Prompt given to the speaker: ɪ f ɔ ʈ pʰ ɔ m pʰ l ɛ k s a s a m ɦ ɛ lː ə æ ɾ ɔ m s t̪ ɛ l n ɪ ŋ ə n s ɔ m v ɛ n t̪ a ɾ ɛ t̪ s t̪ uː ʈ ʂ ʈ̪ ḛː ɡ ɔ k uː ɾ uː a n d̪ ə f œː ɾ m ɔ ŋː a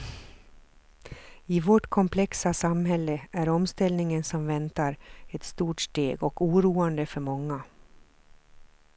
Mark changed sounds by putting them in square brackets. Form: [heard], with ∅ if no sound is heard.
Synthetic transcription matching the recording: ɪ [v] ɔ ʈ [kʰ] ɔ m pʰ l ɛ k s a s a m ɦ ɛ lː ə æ ɾ ɔ m s t̪ ɛ l n ɪ ŋ ə n s ɔ m v ɛ n t̪ a ɾ ɛ t̪ s t̪ uː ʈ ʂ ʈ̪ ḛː ɡ ɔ k uː ɾ uː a n d̪ ə f [œ] ɾ m ɔ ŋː a